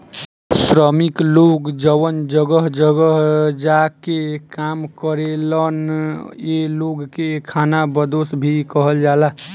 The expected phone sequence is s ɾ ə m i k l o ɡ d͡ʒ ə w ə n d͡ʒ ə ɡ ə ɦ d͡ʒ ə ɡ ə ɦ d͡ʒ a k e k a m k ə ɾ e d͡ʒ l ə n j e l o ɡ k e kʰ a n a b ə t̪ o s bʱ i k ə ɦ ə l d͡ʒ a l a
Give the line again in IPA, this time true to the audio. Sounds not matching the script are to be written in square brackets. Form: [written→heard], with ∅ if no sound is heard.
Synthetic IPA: s ɾ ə m i k l o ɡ d͡ʒ ə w ə n d͡ʒ ə ɡ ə ɦ d͡ʒ ə ɡ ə ɦ d͡ʒ a k e k a m k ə ɾ e [d͡ʒ→∅] l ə n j e l o ɡ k e kʰ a n a b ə [t̪→d̪] o s bʱ i k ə ɦ ə l d͡ʒ a l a